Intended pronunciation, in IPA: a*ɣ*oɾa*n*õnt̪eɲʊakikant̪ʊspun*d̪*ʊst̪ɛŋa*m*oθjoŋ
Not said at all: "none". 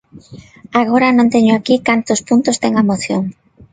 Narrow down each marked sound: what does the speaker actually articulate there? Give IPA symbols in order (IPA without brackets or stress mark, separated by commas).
ɣ, n, t̪, m